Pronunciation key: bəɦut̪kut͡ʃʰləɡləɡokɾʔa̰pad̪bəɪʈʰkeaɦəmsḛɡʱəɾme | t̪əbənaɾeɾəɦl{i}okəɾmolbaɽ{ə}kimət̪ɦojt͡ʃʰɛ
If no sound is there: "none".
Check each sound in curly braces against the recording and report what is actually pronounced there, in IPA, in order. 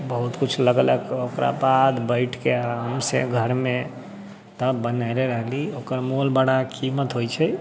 i, a

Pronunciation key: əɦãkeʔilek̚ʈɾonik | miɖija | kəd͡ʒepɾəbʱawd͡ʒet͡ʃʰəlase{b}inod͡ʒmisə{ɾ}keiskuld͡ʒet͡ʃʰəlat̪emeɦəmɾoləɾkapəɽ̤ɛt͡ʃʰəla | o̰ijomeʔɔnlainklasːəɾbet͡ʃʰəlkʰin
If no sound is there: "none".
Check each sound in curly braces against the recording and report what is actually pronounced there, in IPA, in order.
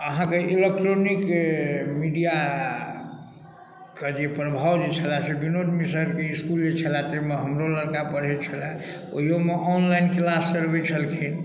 b, ɾ

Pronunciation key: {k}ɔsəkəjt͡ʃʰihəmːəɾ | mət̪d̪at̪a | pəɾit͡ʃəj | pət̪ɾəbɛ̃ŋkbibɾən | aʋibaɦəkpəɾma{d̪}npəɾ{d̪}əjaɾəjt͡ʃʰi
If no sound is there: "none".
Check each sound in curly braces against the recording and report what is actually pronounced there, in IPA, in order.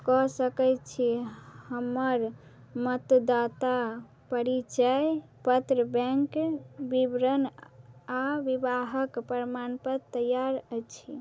k, none, t̪

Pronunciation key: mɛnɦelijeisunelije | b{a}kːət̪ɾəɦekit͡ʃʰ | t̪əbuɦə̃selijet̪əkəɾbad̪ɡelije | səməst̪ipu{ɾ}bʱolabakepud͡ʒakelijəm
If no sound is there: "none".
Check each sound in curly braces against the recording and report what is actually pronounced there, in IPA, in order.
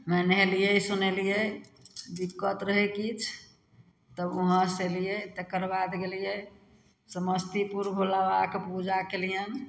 i, ɾ

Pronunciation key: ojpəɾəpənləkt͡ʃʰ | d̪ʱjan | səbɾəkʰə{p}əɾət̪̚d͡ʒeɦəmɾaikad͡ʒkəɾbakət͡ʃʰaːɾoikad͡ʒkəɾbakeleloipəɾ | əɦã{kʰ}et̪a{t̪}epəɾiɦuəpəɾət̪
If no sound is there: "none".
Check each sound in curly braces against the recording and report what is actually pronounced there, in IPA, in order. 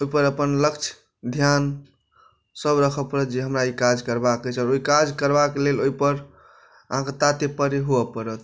p, k, t̪

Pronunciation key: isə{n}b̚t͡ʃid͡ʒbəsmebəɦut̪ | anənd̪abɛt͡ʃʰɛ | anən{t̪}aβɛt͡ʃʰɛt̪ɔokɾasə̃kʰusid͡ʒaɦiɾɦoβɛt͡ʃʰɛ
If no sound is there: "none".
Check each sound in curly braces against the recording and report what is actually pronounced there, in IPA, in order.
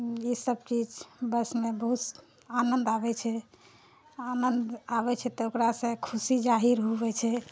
none, d̪

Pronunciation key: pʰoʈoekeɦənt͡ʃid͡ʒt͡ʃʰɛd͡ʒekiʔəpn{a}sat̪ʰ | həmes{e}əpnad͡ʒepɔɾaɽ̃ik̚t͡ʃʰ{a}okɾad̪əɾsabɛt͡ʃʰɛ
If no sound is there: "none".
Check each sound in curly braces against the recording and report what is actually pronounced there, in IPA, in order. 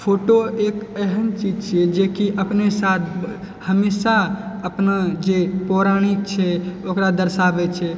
e, a, ɛ

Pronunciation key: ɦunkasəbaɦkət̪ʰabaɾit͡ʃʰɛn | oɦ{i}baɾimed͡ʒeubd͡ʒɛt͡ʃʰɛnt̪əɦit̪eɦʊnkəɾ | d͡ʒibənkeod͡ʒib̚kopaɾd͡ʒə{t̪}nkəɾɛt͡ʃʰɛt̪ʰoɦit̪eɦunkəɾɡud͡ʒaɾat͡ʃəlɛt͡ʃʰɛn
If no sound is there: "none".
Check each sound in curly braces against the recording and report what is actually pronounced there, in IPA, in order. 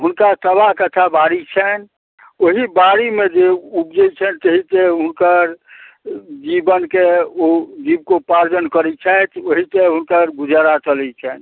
i, none

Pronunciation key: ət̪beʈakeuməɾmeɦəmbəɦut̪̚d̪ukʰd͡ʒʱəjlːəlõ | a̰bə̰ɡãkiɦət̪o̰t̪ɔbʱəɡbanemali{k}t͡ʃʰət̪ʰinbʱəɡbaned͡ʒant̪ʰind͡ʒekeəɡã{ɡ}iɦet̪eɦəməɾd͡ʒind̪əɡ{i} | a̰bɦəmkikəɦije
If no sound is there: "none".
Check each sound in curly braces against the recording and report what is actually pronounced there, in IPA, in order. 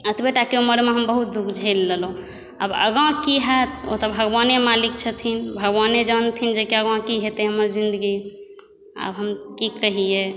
k, k, i

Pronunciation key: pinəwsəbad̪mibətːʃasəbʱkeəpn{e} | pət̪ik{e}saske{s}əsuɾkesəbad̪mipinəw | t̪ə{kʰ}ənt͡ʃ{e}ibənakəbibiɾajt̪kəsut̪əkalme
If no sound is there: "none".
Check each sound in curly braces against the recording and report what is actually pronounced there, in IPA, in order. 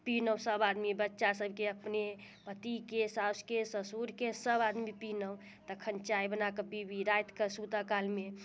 e, e, s, kʰ, a

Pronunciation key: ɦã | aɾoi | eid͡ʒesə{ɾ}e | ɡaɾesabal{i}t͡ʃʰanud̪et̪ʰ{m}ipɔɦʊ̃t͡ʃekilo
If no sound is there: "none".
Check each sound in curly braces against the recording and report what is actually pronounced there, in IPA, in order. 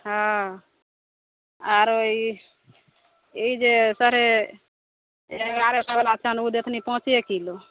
ɾ, a, n

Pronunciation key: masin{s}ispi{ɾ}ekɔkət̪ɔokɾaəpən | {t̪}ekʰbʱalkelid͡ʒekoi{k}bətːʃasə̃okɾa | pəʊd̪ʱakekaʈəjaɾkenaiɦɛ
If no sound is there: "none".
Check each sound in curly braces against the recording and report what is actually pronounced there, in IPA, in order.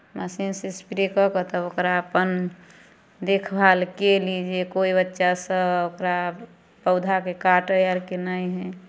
s, ɾ, d̪, none

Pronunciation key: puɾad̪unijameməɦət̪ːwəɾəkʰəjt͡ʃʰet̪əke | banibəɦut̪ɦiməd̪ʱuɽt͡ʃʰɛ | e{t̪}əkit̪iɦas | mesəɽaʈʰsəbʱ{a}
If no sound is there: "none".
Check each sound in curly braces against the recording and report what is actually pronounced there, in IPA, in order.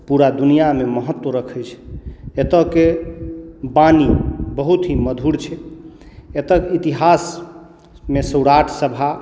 t̪, a

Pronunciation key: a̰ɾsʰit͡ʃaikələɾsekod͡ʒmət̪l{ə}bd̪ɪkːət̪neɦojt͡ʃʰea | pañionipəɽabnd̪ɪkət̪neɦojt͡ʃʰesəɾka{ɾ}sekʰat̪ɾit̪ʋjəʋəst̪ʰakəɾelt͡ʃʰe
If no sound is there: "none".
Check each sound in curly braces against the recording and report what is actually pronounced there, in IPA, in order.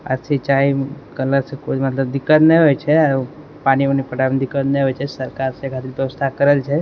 ə, ɾ

